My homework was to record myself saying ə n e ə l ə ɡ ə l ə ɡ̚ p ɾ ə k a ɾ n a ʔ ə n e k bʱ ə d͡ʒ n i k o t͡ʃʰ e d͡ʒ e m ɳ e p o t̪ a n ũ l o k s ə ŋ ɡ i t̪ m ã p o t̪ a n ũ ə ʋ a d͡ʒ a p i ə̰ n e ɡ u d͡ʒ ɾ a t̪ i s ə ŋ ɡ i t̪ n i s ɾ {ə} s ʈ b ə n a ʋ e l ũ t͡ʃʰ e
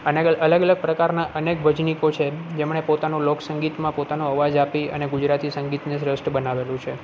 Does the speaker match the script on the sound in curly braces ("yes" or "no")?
yes